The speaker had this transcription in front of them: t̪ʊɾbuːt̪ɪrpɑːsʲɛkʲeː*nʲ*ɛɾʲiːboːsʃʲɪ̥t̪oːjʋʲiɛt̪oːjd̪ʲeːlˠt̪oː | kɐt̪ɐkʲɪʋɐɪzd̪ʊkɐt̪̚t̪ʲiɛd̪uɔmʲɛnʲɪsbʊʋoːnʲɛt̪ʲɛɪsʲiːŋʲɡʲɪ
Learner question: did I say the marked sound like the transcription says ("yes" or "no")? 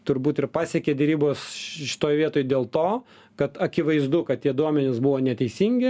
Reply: no